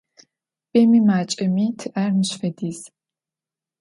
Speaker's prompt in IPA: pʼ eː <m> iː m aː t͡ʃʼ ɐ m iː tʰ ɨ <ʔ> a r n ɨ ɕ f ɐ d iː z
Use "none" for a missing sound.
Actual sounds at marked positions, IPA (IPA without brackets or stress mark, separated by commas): m, ʔ